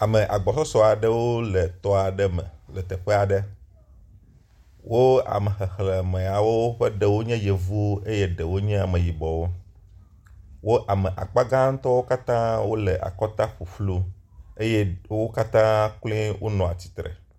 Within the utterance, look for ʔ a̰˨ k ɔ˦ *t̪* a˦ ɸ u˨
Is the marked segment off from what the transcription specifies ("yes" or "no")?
no